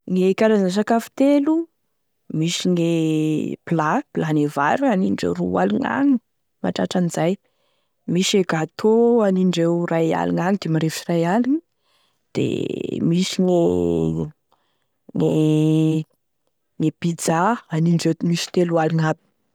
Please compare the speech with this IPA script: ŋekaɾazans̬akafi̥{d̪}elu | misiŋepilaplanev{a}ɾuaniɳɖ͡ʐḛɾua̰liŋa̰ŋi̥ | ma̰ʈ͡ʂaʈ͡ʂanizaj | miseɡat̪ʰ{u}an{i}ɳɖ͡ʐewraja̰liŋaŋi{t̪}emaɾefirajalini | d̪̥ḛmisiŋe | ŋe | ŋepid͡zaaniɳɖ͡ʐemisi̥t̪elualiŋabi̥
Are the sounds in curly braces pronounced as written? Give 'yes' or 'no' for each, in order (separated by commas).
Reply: no, yes, no, yes, no